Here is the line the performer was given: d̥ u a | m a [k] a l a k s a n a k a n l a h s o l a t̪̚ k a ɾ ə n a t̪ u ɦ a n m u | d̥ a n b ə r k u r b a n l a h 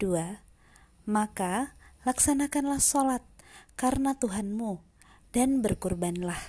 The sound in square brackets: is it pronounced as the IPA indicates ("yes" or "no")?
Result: yes